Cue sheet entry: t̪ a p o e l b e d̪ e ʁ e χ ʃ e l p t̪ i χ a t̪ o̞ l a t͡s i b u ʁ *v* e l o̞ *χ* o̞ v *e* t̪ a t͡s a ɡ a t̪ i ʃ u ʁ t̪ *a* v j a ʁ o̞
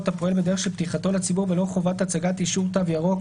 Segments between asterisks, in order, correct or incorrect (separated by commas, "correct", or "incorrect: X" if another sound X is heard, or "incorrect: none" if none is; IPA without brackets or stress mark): correct, correct, incorrect: a, correct